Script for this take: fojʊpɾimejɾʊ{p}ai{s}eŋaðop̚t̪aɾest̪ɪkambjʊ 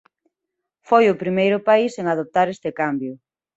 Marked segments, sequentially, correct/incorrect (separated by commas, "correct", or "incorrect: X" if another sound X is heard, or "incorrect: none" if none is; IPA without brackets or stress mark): correct, correct